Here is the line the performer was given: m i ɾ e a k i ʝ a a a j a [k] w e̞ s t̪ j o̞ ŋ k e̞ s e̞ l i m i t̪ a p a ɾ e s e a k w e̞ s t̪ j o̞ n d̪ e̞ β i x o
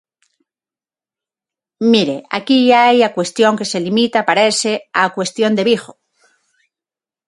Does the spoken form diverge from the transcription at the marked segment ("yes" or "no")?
no